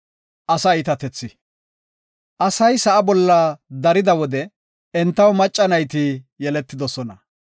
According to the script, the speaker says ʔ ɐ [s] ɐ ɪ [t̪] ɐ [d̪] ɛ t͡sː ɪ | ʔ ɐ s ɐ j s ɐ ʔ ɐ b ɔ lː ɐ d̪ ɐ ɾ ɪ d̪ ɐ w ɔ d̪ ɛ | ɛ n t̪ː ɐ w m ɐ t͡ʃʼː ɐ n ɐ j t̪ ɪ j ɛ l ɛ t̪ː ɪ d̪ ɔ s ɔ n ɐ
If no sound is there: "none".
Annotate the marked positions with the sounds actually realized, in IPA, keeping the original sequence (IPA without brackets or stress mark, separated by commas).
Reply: s, t̪, t̪